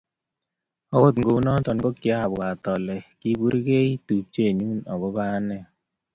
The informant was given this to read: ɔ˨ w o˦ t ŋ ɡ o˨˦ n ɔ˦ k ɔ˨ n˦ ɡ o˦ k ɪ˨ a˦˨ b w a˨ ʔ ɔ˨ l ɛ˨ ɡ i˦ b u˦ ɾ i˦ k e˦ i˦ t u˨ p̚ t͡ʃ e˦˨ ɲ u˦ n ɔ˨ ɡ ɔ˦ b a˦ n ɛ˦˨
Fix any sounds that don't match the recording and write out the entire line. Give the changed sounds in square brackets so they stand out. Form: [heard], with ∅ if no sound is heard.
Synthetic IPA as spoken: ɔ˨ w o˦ t ŋ ɡ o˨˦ n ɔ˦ [t] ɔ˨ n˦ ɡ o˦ k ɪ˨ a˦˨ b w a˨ [t] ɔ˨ l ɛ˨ [k] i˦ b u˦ ɾ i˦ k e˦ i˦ t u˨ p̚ t͡ʃ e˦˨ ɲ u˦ n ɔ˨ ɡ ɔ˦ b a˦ n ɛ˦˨